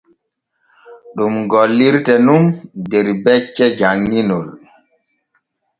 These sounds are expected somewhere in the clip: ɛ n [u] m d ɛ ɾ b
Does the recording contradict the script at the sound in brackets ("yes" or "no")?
no